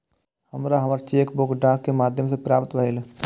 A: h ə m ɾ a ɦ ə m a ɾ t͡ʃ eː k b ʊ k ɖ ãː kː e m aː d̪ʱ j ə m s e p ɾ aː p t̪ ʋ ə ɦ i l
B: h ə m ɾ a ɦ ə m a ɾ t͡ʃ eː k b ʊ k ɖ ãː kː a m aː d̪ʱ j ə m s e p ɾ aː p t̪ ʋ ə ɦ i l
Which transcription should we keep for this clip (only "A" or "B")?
A